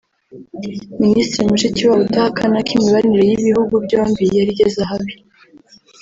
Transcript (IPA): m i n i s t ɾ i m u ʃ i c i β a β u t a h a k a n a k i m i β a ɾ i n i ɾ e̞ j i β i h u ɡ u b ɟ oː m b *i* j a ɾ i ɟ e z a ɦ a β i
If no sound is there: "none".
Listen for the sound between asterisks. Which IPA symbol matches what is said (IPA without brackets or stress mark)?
i